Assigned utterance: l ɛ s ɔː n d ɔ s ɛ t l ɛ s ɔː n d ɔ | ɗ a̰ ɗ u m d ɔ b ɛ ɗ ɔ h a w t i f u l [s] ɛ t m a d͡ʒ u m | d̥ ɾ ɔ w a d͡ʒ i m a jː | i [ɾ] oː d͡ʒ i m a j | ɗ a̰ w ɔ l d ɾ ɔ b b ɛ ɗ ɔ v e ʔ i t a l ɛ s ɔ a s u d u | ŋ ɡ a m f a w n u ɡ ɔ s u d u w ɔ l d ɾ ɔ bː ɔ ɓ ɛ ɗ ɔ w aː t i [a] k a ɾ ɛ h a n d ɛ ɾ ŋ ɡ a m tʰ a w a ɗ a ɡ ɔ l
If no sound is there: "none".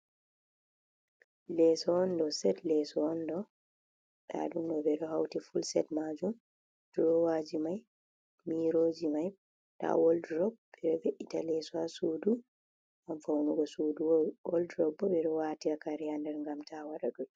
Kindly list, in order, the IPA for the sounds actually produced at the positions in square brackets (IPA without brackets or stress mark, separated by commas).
s, ɾ, a